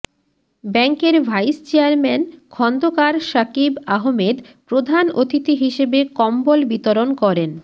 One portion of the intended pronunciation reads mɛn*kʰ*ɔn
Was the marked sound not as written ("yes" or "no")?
no